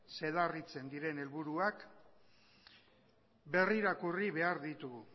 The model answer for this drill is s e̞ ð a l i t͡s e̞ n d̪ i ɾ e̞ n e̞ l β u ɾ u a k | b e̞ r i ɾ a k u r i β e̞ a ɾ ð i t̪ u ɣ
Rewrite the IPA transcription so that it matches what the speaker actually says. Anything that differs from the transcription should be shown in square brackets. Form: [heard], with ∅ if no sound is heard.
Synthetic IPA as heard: s e̞ ð a [r] i t͡s e̞ n d̪ i ɾ e̞ n e̞ l β u ɾ u a k | b e̞ r i ɾ a k u r i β e̞ a ɾ ð i t̪ u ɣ

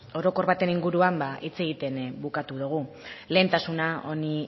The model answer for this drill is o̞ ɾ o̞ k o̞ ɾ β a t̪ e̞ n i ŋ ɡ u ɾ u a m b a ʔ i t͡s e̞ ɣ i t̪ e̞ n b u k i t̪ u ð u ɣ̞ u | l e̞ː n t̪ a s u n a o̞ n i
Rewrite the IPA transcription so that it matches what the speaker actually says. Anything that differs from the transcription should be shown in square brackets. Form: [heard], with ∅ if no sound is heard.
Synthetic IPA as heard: o̞ ɾ o̞ k o̞ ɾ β a t̪ e̞ n i ŋ ɡ u ɾ u a m b a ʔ i t͡s e̞ ɣ i t̪ e̞ n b u k [a] t̪ u ð u ɣ̞ u | l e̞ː n t̪ a s u n a o̞ n i

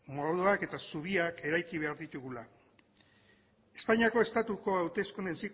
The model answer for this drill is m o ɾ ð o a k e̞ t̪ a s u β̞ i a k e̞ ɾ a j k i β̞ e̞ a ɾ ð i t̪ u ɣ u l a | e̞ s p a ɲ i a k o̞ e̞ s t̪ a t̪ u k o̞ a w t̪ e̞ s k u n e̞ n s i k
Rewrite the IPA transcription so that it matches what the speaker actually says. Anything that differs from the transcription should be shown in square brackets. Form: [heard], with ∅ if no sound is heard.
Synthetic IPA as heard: m o ɾ ð o a k e̞ t̪ a s u β̞ i a k e̞ ɾ a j k i β̞ e̞ a ɾ ð i t̪ u ɣ u l a | e̞ s p a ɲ i a k o̞ e̞ s t̪ a t̪ u k o̞ a w t̪ e̞ s k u n e̞ n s i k

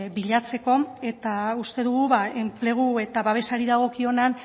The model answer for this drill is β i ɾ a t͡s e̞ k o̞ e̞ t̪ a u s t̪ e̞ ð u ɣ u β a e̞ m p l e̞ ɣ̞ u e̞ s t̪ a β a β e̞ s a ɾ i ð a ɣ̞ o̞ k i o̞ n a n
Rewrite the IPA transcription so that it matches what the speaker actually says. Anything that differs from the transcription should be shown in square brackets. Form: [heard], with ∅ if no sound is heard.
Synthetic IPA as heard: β i [ʎ] a t͡s e̞ k o̞ e̞ t̪ a u s t̪ e̞ ð u ɣ u β a e̞ m p l e̞ ɣ̞ u e̞ [∅] t̪ a β a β e̞ s a ɾ i ð a ɣ̞ o̞ k i o̞ n a n

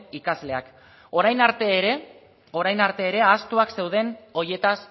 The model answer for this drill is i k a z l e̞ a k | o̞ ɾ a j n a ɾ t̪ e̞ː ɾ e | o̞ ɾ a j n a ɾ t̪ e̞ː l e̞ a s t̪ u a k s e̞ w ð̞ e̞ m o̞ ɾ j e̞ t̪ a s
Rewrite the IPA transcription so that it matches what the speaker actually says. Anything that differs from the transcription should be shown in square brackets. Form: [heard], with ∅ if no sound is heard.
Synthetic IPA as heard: i k a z l e̞ a k | o̞ ɾ a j n a ɾ t̪ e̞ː ɾ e | o̞ ɾ a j n a ɾ t̪ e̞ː [ɾ] e̞ a s t̪ u a k s e̞ w ð̞ e̞ [n] o̞ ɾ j e̞ t̪ a s

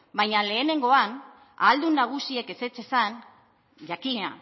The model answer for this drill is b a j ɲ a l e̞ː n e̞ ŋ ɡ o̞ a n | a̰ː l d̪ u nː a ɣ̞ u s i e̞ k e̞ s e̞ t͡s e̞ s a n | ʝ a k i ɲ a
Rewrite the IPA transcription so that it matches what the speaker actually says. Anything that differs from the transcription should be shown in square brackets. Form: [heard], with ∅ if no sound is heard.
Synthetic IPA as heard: b a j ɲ a l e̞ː n e̞ ŋ ɡ o̞ a n | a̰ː l d̪ u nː a ɣ̞ u s i e̞ k e̞ s e̞ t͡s e̞ s a n | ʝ a k i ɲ a

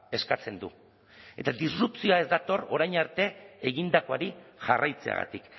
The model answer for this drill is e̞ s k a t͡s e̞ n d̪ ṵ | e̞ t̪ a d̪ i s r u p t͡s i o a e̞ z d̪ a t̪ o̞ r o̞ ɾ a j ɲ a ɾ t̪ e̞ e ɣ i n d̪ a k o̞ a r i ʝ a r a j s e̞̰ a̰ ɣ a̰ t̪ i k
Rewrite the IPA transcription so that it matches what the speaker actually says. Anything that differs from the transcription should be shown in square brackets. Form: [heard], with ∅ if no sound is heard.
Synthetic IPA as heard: e̞ s k a t͡s e̞ n d̪ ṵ | e̞ t̪ a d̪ i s r u p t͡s i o a e̞ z d̪ a t̪ o̞ r o̞ ɾ a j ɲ a ɾ t̪ e̞ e ɣ i n d̪ a k o̞ a [ɾ] i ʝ a r a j [t͡s] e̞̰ a̰ ɣ a̰ t̪ i k

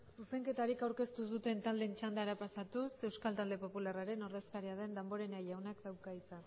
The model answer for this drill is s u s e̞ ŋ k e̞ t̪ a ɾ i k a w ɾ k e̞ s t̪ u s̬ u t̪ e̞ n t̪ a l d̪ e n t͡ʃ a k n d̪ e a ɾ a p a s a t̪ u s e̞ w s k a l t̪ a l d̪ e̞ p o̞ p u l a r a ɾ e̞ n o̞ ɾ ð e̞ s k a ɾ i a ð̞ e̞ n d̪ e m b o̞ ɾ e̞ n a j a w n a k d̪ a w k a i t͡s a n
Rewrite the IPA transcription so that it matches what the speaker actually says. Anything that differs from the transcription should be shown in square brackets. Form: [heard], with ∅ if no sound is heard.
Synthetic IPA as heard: s u s e̞ ŋ k e̞ t̪ a ɾ i k a w ɾ k e̞ s t̪ u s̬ u t̪ e̞ n t̪ a l d̪ e n t͡ʃ a [∅] n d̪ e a ɾ a p a s a t̪ u s e̞ w s k a l t̪ a l d̪ e̞ p o̞ p u l a r a ɾ e̞ n o̞ ɾ ð e̞ s k a ɾ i a ð̞ e̞ n d̪ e m b o̞ ɾ e̞ n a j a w n a k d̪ a w k a i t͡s a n

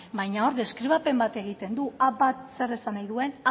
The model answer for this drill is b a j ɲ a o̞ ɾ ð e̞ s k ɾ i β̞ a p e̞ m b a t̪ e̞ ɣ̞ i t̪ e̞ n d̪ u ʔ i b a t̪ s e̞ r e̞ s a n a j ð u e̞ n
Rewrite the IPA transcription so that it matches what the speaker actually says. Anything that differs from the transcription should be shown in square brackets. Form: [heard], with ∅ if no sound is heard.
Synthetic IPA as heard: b a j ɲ a o̞ ɾ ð e̞ s k ɾ i β̞ a p e̞ m b a t̪ e̞ ɣ̞ i t̪ e̞ n d̪ u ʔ [a] b a t̪ s e̞ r e̞ s a n a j ð u e̞ n

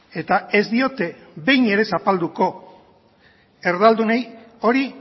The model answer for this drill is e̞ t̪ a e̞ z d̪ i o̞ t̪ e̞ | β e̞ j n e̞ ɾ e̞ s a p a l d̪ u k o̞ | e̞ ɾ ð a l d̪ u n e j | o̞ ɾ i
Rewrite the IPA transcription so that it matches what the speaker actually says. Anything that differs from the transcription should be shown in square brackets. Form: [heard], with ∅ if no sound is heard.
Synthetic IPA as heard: e̞ t̪ a e̞ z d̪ i o̞ t̪ e̞ | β e̞ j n e̞ ɾ e̞ s a p a l d̪ u k o̞ | e̞ ɾ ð a l d̪ u n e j | o̞ ɾ i

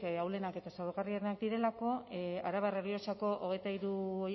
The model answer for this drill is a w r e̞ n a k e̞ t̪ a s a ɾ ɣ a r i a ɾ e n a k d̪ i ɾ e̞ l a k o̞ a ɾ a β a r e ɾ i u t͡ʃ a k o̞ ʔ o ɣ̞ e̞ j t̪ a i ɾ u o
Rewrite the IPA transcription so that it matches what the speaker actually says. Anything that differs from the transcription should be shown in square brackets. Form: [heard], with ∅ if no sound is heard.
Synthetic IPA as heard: a w [l] e̞ n a k e̞ t̪ a s a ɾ ɣ a r i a ɾ e n a k d̪ i ɾ e̞ l a k o̞ a ɾ a β a r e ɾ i [o] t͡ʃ a k o̞ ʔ o ɣ̞ e̞ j t̪ a i ɾ u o

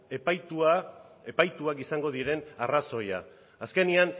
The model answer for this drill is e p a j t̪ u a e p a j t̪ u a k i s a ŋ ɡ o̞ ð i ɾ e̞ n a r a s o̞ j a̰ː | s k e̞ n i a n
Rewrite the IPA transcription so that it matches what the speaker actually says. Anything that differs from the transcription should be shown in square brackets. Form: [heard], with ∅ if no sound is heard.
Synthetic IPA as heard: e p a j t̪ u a e p a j t̪ u a k i s a ŋ ɡ o̞ ð i ɾ e̞ n a r a s o̞ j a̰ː | s k e̞ n i a n

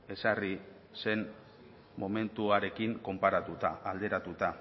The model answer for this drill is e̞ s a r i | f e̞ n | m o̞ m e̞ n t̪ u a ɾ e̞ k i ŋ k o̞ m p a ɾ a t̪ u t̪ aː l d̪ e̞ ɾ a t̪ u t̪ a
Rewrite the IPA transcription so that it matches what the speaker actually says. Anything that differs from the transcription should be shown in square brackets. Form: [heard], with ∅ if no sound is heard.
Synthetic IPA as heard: e̞ s a r i | [s] e̞ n | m o̞ m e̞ n t̪ u a ɾ e̞ k i ŋ k o̞ m p a ɾ a t̪ u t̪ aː l d̪ e̞ ɾ a t̪ u t̪ a

